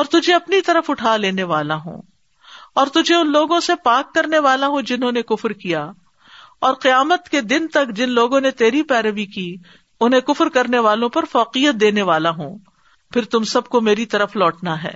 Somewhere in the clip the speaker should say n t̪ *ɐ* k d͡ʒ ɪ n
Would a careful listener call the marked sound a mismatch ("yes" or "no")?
no